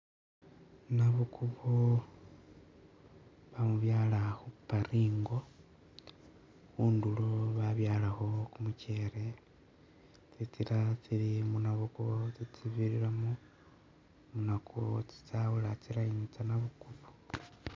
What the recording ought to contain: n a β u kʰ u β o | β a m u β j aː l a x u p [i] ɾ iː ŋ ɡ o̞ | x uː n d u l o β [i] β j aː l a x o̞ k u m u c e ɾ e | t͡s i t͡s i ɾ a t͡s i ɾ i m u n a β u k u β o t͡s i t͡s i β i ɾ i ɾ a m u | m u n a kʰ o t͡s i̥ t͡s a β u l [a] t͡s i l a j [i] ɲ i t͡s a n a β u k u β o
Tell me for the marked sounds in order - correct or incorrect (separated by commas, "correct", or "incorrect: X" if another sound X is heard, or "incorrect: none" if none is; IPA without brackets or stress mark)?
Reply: incorrect: a, incorrect: a, correct, correct